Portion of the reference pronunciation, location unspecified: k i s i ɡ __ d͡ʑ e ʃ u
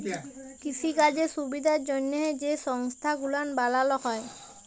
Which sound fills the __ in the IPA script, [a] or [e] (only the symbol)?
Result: a